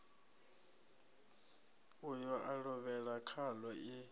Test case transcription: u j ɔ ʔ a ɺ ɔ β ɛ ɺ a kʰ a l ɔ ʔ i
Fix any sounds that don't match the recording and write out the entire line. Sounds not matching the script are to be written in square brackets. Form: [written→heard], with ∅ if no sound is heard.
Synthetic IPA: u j ɔ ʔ a ɺ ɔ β ɛ ɺ a kʰ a l ɔ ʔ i